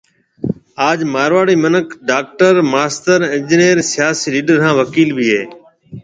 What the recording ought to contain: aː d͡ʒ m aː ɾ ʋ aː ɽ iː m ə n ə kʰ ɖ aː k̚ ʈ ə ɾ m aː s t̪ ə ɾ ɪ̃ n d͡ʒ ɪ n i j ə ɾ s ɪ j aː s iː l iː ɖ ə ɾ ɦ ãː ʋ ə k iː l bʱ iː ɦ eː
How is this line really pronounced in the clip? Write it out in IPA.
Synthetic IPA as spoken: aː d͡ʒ m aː ɾ ʋ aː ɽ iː m ə n ə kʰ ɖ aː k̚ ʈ ə ɾ m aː s t̪ ə ɾ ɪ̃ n d͡ʒ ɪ n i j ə ɾ s ɪ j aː s iː l iː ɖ ə ɾ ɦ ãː ʋ ə k iː l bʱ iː ɦ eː